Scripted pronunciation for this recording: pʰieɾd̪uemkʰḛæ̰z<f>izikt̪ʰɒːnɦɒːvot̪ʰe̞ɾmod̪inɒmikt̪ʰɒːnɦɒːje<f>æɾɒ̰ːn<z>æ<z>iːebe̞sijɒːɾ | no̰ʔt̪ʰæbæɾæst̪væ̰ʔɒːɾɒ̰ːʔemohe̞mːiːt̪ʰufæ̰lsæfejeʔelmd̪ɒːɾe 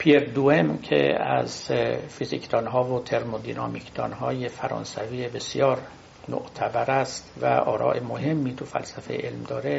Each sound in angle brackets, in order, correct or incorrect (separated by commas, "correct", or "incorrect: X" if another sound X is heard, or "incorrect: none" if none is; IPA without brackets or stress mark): correct, correct, incorrect: s, incorrect: v